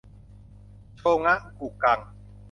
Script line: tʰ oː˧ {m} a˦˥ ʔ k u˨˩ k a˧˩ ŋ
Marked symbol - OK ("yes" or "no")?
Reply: no